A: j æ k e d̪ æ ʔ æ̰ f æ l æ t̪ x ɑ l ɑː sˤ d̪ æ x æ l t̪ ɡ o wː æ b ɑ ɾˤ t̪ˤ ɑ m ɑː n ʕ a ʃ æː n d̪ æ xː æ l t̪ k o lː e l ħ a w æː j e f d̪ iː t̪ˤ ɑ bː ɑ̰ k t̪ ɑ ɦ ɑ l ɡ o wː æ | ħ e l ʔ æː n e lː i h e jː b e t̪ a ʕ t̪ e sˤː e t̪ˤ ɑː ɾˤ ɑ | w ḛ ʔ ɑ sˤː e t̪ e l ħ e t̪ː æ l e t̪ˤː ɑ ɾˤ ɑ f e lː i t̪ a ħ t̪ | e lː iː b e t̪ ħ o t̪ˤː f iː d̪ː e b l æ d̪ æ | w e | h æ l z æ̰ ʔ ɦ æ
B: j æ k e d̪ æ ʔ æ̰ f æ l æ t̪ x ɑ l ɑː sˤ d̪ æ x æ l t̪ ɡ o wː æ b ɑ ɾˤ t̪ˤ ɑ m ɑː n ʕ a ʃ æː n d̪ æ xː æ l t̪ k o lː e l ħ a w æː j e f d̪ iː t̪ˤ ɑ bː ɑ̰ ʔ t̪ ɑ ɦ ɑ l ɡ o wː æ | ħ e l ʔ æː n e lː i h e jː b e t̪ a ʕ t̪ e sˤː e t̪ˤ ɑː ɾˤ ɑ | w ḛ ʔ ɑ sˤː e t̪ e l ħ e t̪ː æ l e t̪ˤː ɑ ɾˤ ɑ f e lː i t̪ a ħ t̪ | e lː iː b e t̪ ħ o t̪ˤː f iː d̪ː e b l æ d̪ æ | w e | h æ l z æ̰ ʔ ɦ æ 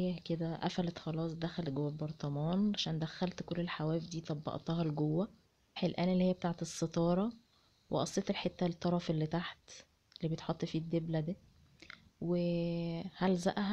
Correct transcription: B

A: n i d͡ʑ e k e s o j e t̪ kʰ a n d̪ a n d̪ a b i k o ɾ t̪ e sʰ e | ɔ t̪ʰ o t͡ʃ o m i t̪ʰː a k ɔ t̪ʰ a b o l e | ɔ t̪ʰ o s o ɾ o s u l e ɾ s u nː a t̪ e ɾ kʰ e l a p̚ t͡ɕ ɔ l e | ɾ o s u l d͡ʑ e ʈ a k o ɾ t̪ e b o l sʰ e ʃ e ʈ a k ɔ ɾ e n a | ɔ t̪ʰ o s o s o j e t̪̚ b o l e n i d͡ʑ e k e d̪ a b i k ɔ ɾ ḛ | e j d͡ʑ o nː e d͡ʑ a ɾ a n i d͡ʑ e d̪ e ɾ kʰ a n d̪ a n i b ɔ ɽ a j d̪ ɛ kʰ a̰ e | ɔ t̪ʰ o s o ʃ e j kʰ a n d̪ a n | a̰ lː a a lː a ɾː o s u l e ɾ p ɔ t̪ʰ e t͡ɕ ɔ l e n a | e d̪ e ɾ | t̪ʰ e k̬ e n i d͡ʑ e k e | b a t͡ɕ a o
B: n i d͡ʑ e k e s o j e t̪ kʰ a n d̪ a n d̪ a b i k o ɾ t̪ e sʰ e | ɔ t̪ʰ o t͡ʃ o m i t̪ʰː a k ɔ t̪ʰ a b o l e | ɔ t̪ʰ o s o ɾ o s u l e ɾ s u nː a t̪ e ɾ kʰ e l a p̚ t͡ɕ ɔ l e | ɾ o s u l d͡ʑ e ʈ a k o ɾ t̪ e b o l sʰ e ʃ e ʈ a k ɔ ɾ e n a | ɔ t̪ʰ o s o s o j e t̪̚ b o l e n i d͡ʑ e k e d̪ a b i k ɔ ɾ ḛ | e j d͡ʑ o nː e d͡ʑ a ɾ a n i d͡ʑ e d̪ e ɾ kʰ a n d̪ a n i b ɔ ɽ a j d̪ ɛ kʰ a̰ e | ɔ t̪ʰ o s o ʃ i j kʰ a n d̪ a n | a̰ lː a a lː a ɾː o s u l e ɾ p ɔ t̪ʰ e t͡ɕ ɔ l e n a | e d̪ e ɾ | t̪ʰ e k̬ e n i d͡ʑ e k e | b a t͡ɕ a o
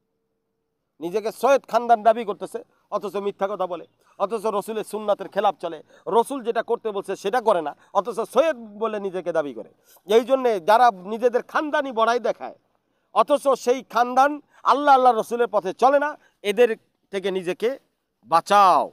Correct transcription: A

